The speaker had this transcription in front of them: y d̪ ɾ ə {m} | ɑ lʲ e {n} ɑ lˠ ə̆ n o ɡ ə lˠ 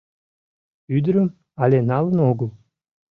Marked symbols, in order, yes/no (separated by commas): yes, yes